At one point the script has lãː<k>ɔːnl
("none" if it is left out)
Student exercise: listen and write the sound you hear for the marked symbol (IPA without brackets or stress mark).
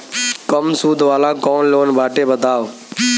k